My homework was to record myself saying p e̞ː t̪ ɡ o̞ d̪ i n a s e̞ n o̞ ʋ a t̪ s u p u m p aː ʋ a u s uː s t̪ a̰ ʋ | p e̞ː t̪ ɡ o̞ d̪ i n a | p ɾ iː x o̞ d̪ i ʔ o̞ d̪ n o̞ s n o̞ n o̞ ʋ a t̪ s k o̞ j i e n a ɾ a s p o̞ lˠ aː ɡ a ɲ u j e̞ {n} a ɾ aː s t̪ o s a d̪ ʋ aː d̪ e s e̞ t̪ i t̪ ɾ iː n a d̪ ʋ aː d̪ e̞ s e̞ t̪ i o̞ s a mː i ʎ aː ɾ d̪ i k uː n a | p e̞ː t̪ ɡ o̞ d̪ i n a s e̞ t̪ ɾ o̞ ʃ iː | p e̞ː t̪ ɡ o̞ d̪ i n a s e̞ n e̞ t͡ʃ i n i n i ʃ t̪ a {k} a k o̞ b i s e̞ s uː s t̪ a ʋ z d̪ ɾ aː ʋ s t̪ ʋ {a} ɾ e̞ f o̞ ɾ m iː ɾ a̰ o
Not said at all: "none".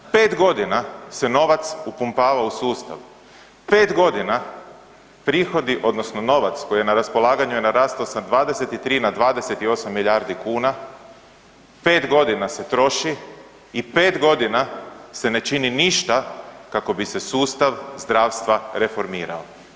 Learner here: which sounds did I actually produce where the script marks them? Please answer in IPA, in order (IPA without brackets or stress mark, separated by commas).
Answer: n, k, a